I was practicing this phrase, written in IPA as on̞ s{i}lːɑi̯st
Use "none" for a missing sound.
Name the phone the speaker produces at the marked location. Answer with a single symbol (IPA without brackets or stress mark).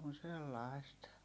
e